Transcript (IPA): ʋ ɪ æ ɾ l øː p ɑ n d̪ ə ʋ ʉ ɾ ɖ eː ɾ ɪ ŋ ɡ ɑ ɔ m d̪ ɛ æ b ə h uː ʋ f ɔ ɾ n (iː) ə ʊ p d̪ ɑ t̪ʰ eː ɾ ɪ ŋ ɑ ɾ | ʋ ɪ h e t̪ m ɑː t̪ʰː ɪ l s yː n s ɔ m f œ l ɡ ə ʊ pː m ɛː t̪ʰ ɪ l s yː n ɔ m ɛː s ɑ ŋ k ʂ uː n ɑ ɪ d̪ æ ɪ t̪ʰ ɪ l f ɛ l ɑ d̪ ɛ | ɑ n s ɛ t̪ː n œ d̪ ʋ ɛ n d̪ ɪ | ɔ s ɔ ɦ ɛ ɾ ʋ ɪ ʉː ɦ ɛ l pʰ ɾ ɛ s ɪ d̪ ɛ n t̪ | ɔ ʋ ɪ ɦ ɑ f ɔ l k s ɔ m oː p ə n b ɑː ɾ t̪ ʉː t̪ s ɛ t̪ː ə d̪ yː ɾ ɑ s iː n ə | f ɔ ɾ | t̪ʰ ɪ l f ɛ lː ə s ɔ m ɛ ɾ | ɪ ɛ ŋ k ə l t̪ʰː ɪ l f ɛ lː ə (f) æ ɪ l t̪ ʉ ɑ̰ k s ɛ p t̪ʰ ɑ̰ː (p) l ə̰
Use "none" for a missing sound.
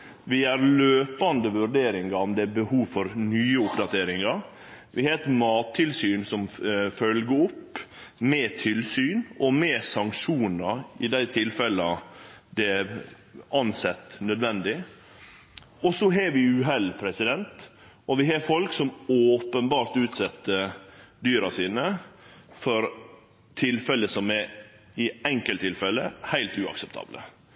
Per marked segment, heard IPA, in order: yː, h, b

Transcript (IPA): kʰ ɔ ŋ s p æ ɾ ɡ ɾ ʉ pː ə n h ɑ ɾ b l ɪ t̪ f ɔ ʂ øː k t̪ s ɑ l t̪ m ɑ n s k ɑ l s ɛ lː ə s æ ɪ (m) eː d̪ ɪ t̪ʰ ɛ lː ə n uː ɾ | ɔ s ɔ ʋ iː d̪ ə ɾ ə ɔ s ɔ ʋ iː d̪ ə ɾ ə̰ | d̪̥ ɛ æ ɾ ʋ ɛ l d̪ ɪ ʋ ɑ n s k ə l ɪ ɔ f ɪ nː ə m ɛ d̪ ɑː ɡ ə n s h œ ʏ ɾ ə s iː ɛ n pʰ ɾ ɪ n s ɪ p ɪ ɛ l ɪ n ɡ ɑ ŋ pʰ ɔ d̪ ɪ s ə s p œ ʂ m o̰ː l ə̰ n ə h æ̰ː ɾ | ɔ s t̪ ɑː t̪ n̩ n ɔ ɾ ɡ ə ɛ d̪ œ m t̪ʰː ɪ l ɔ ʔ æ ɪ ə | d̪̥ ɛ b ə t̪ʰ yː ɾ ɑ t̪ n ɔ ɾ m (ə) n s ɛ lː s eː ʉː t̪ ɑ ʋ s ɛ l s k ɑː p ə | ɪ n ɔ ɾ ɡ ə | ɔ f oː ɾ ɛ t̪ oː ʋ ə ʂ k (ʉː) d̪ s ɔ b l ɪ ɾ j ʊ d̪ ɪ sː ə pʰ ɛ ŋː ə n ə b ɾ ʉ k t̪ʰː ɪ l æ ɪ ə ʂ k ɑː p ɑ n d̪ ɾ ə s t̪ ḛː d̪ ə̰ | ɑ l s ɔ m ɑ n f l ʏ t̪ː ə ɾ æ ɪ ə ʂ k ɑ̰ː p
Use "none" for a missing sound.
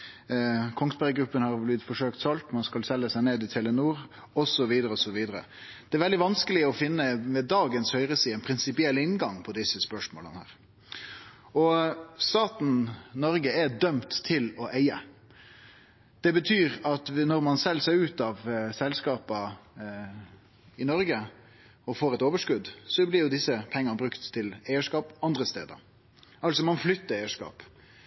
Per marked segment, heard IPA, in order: n, ɑ, ʉ

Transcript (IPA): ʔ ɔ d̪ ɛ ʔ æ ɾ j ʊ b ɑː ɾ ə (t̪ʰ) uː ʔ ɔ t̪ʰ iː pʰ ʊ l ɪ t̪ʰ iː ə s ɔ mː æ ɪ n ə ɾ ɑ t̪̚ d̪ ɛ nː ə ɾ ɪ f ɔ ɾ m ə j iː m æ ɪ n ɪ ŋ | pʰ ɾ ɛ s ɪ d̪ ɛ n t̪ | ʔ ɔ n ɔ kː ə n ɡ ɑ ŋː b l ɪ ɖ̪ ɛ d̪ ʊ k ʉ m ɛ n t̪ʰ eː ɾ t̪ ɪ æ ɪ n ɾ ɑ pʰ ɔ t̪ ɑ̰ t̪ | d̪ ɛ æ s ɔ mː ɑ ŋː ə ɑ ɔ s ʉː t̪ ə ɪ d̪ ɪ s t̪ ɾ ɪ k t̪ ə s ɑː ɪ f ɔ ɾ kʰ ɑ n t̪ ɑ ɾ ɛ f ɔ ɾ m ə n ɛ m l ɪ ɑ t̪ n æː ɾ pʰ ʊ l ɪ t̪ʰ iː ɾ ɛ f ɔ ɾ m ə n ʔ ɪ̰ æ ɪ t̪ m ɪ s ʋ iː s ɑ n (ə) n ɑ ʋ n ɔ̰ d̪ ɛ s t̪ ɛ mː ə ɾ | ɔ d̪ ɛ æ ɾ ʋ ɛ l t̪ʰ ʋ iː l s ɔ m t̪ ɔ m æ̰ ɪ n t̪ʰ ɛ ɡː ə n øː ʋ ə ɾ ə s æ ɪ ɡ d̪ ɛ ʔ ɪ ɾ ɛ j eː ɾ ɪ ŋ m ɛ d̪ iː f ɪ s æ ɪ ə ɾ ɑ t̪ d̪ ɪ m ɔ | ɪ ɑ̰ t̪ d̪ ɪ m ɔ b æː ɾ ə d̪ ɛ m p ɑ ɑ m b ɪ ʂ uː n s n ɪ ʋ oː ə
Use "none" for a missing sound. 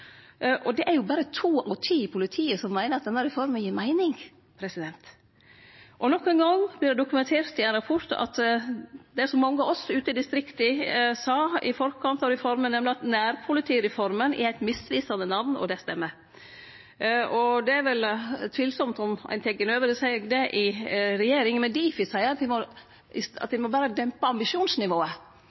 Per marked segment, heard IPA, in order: t̪ʰ, ə

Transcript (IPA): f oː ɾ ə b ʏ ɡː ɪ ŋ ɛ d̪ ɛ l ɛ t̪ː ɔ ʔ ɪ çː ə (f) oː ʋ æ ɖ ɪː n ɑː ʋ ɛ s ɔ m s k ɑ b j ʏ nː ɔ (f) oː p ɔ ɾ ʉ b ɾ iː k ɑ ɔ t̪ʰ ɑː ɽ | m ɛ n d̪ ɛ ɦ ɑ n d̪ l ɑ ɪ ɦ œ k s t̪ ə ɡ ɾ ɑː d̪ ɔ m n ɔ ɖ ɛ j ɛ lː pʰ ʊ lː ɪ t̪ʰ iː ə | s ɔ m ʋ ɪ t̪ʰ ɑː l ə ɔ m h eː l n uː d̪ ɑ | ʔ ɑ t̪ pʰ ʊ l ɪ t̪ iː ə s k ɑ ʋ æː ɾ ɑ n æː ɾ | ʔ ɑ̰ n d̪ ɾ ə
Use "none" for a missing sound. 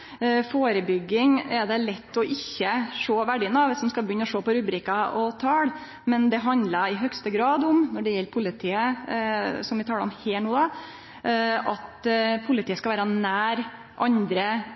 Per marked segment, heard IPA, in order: ʂ, ʂ

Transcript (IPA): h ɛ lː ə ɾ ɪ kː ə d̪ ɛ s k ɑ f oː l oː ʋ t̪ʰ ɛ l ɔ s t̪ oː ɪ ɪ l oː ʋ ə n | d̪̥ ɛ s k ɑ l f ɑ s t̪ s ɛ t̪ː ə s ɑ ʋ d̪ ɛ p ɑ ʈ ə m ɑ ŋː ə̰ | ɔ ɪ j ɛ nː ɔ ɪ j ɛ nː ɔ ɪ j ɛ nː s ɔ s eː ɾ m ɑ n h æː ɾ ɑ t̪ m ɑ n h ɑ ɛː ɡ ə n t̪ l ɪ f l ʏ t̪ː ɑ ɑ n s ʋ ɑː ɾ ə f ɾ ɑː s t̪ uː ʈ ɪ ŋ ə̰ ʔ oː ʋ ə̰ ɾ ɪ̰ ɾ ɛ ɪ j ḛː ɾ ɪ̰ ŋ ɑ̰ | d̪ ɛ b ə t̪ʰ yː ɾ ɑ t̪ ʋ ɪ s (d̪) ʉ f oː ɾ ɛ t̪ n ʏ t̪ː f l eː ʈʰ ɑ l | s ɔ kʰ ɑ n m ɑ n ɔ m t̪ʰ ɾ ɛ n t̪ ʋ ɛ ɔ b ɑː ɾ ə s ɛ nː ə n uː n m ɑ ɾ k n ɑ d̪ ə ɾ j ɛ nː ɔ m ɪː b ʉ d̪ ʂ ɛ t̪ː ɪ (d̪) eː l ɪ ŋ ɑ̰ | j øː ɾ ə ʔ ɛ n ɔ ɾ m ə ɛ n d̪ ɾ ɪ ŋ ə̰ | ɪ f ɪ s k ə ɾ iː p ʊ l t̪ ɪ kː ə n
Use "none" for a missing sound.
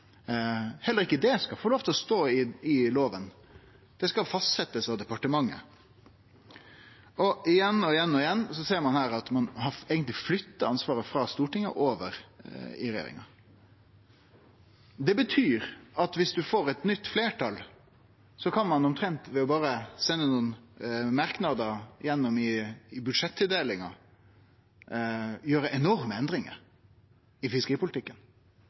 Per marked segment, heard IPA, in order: d̪, d̪

